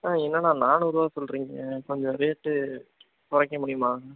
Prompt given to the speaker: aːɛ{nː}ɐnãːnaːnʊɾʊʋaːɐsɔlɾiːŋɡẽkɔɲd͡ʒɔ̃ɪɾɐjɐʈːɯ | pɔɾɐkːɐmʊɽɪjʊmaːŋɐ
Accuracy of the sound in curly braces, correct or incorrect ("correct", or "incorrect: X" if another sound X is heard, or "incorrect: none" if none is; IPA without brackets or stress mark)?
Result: correct